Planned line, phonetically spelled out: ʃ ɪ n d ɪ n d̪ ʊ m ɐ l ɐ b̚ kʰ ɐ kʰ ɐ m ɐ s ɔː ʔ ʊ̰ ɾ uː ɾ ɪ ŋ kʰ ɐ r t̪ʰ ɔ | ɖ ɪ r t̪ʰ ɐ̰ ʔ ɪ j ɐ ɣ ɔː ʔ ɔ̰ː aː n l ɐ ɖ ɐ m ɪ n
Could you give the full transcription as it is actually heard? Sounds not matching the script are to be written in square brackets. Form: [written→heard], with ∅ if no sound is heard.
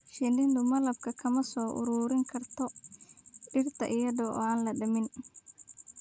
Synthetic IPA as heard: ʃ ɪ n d ɪ n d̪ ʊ m ɐ l ɐ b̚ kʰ ɐ kʰ ɐ m ɐ s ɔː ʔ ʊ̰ ɾ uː ɾ ɪ ŋ kʰ ɐ r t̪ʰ ɔ | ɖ ɪ r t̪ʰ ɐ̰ ʔ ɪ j ɐ [ɣ→ð] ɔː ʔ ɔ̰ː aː n l ɐ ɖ ɐ m ɪ n